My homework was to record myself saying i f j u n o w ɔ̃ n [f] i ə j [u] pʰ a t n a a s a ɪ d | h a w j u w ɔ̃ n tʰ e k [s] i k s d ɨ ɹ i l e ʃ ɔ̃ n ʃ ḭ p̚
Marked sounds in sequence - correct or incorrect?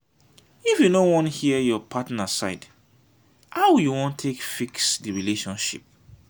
incorrect: h, incorrect: ɔ, incorrect: f

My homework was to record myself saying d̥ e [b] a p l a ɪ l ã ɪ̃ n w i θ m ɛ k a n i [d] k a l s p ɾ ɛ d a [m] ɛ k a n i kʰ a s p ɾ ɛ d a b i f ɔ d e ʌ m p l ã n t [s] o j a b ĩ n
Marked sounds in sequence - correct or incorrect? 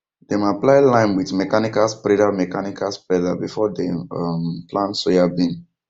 incorrect: m, incorrect: none, correct, correct

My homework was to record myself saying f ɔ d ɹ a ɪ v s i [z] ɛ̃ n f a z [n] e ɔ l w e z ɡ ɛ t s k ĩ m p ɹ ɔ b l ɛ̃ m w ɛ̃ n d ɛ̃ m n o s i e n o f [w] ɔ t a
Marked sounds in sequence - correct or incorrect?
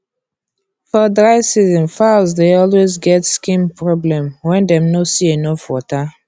correct, incorrect: d, correct

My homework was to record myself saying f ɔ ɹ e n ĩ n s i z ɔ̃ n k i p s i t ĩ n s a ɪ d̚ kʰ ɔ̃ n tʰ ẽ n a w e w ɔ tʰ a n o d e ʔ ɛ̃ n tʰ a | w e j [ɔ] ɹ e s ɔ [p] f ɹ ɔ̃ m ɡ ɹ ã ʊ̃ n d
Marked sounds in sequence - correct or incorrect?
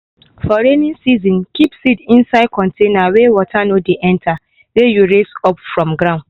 incorrect: u, correct

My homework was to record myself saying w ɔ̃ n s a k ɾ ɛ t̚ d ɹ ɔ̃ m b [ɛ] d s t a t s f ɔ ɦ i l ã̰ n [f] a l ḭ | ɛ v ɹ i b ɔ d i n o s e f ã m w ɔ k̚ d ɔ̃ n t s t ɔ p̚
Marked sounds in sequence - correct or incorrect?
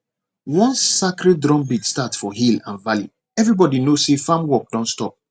incorrect: i, incorrect: v

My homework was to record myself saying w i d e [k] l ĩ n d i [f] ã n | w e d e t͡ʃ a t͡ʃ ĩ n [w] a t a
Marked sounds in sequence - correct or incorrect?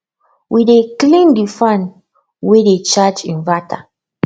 correct, correct, incorrect: v

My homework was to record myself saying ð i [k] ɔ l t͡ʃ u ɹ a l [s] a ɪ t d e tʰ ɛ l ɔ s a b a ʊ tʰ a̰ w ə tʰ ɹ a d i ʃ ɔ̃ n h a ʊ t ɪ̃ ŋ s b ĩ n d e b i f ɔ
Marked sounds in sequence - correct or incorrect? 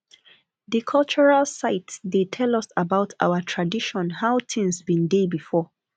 incorrect: kʰ, correct

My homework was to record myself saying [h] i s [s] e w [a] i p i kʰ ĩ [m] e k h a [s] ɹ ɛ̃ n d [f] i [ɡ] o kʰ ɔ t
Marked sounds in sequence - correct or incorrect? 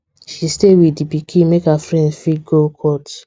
incorrect: ʃ, incorrect: t, incorrect: i, correct, incorrect: f, correct, correct

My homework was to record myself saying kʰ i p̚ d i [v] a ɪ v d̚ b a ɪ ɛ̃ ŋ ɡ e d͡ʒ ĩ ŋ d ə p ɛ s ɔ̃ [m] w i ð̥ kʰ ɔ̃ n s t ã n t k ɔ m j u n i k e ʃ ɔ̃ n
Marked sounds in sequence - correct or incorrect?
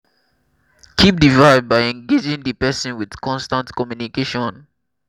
correct, incorrect: n

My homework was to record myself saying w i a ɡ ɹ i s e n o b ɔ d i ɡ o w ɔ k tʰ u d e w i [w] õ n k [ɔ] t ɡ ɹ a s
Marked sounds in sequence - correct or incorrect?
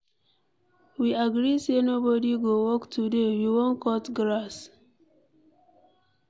correct, correct

